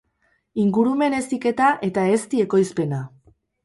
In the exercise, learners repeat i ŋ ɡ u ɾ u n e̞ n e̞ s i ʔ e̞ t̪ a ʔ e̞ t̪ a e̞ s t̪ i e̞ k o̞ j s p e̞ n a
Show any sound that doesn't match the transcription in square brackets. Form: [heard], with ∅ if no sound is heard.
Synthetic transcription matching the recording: i ŋ ɡ u ɾ u [m] e̞ n e̞ s i [k] e̞ t̪ a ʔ e̞ t̪ a e̞ s t̪ i e̞ k o̞ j s p e̞ n a